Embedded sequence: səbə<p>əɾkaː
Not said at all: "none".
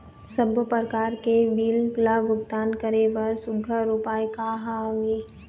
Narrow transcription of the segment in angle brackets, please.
p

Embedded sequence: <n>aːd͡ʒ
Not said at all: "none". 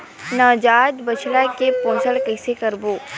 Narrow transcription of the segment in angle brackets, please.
n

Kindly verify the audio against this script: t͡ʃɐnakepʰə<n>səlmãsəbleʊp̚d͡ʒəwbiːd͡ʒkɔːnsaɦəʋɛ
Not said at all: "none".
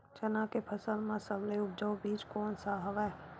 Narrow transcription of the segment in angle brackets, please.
none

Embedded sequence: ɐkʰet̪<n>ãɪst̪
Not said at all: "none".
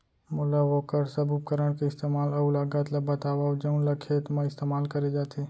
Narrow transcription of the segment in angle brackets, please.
m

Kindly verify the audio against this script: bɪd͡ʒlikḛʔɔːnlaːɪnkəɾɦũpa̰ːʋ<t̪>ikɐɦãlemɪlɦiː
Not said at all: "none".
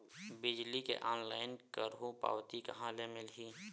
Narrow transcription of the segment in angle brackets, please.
t̪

